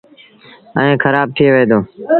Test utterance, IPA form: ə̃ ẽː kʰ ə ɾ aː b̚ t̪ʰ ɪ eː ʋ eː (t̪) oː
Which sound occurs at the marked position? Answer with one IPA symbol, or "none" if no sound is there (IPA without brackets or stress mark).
d̪